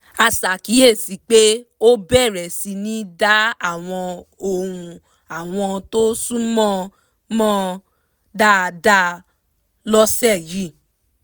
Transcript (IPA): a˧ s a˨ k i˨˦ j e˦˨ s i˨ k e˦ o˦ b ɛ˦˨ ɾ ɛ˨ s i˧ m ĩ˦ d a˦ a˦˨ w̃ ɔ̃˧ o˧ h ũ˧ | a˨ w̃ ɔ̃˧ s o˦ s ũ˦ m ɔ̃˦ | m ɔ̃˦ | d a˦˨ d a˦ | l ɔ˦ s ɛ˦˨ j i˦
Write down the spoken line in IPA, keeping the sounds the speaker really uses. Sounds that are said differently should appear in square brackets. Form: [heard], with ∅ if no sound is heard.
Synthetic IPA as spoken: a˧ s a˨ k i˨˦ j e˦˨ s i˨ [k͡p] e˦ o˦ b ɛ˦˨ ɾ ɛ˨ s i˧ [n] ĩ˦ d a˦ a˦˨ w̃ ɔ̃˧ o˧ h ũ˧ | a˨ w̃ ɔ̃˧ [t] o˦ s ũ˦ m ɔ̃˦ | m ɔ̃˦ | d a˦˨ d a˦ | l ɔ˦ s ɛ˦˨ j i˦